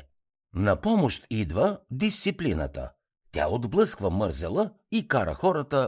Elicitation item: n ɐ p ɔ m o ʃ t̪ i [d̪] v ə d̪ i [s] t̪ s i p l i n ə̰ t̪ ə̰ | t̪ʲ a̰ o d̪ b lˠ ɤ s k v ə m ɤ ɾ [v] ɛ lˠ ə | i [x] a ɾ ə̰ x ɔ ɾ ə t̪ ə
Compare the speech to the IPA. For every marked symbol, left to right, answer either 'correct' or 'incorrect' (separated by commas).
correct, correct, incorrect, incorrect